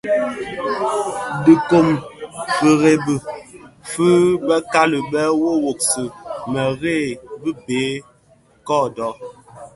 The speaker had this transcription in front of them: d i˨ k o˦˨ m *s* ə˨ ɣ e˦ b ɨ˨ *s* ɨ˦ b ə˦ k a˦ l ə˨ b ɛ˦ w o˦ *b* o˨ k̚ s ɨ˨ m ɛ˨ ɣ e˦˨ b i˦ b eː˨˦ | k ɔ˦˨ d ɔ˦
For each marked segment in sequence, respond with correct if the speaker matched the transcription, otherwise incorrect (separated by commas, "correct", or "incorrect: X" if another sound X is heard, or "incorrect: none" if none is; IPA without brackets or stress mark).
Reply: incorrect: f, incorrect: f, incorrect: w